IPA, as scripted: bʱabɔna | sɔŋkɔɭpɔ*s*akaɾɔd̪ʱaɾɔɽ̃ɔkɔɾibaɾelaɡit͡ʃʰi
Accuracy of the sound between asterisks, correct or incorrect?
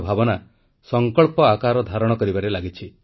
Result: incorrect